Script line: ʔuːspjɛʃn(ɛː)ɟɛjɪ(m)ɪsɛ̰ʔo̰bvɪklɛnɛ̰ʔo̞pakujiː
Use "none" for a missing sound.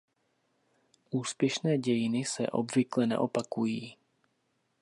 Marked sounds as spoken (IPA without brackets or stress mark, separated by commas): ɛː, n